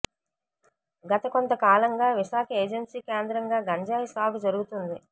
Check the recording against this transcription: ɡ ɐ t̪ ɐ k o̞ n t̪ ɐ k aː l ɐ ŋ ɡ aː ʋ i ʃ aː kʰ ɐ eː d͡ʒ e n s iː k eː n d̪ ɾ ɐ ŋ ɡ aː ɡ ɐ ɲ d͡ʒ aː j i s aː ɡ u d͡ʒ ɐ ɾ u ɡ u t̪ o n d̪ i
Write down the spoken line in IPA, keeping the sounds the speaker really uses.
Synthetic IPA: ɡ ɐ t̪ ɐ k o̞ n t̪ ɐ k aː l ɐ ŋ ɡ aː ʋ i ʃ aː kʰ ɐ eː d͡ʒ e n s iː k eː n d̪ ɾ ɐ ŋ ɡ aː ɡ ɐ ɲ d͡ʒ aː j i s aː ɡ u d͡ʒ ɐ ɾ u ɡ u t̪ u n d̪ i

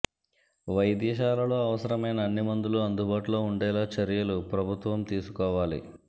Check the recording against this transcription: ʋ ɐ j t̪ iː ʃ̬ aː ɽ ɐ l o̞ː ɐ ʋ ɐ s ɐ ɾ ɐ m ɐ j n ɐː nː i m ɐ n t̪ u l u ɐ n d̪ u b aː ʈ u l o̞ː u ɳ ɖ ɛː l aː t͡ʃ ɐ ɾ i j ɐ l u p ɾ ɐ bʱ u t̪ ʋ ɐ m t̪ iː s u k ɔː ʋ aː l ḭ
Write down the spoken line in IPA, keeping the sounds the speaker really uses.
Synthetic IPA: ʋ ɐ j d̪ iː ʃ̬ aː l ɐ l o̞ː ɐ ʋ ɐ s ɐ ɾ ɐ m ɐ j n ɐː nː i m ɐ n d̪ u l u ɐ n d̪ u b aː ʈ u l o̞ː u ɳ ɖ ɛː l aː t͡ʃ ɐ ɾ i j ɐ l u p ɾ ɐ bʱ u t̪ ʋ ɐ m t̪ iː s u k ɔː ʋ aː l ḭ

